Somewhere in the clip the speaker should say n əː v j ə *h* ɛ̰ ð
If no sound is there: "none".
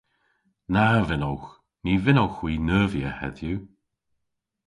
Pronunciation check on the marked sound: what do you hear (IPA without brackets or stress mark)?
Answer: h